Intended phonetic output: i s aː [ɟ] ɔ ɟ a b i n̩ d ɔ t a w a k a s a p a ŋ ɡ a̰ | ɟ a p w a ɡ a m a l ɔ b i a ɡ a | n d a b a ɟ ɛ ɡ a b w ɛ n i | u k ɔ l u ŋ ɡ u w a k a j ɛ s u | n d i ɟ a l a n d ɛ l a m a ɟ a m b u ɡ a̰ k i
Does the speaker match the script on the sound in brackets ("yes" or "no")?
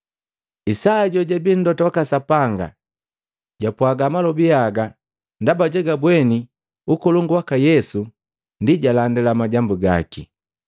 yes